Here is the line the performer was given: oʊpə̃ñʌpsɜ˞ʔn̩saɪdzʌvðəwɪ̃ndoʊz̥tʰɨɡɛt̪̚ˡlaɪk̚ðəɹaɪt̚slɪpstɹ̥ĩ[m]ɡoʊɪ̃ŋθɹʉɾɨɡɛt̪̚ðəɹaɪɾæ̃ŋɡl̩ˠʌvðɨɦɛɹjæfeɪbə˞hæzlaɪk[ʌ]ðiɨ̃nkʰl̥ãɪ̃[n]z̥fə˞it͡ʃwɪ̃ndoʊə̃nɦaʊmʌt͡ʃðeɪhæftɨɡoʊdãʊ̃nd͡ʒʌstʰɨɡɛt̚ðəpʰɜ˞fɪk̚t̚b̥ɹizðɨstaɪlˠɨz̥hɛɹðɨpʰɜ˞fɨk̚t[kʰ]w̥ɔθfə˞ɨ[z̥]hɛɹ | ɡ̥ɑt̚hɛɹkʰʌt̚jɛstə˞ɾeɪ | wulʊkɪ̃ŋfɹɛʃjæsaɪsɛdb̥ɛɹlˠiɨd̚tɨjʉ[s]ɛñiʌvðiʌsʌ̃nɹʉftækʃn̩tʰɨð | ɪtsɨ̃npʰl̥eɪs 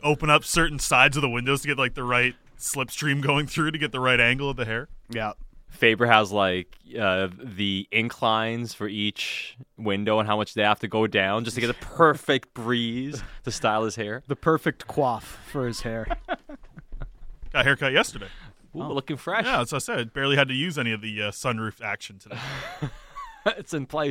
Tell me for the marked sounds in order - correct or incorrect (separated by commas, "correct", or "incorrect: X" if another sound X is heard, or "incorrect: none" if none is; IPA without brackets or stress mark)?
correct, correct, correct, correct, correct, incorrect: z